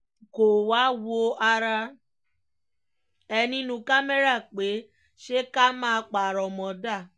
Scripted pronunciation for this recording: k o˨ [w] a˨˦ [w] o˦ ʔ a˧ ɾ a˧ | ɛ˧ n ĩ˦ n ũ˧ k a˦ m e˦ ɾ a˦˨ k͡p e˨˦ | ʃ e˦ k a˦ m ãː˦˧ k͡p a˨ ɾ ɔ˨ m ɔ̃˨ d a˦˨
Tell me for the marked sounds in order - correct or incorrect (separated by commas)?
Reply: correct, correct